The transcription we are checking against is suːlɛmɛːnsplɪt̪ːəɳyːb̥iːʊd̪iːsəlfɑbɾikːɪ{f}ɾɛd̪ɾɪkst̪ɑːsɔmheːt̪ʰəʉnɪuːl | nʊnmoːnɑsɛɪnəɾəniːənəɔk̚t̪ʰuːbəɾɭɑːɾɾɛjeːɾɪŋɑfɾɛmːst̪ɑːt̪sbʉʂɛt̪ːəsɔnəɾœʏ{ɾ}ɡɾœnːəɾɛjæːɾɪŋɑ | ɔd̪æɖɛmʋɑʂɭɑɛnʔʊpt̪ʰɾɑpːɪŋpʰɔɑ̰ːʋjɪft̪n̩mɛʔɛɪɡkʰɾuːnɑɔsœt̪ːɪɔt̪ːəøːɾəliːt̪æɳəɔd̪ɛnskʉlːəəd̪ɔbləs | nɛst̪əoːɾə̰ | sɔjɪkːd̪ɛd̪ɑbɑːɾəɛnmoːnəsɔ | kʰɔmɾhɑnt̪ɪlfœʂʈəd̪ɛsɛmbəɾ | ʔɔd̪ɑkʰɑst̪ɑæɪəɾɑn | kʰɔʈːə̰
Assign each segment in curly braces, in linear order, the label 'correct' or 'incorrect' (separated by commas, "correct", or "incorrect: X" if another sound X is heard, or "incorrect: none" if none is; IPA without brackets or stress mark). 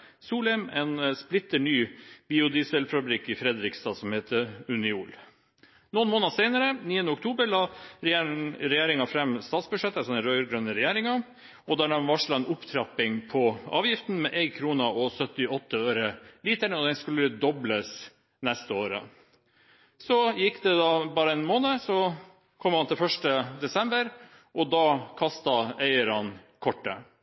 correct, correct